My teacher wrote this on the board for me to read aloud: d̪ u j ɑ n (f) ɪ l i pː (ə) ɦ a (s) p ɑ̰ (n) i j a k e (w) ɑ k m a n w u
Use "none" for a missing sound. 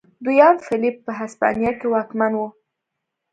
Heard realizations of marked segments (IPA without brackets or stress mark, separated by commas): f, ə, s, n, w